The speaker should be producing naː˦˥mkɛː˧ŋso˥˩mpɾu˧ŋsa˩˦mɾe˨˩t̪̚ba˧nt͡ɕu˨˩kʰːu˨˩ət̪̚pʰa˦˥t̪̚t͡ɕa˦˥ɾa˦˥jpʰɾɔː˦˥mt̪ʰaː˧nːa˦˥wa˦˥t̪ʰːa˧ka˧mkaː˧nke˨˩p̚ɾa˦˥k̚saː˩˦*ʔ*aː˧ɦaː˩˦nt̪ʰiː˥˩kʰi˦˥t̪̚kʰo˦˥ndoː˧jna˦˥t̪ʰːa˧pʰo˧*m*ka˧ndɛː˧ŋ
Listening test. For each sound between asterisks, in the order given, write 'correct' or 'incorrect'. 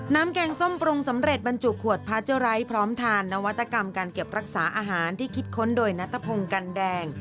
correct, incorrect: ŋ

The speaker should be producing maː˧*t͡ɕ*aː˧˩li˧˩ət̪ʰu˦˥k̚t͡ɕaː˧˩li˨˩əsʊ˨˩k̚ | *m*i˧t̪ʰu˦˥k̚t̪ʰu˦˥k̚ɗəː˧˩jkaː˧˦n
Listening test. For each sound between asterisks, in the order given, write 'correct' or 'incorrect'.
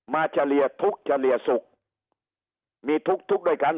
correct, correct

